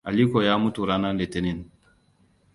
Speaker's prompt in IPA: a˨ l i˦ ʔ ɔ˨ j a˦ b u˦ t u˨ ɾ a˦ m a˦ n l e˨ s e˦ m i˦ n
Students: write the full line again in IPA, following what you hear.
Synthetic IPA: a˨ l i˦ k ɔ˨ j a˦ m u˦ t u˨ ɾ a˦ n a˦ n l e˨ t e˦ n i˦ n